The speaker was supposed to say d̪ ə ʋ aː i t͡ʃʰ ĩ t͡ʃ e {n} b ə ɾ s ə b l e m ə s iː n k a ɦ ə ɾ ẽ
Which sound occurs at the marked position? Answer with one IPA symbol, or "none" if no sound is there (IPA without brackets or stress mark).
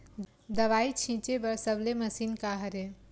none